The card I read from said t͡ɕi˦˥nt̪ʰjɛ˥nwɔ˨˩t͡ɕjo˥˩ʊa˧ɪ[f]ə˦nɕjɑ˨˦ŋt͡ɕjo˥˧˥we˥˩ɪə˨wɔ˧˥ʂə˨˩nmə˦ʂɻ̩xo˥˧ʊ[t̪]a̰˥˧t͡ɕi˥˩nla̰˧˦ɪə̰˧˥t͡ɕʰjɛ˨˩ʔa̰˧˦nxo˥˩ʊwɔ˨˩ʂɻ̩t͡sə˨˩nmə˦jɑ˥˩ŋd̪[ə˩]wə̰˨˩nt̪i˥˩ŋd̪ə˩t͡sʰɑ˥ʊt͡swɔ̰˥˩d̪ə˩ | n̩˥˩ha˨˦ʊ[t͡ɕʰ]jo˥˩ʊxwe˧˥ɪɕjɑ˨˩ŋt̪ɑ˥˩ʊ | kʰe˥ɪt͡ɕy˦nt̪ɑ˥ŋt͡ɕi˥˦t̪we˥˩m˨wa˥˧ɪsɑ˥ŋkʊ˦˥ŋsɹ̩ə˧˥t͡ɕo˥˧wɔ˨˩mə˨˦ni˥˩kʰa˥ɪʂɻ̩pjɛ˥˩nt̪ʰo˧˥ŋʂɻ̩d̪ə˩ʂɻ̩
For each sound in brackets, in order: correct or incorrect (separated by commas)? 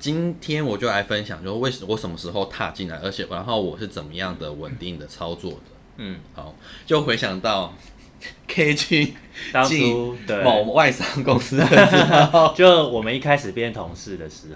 correct, incorrect, correct, incorrect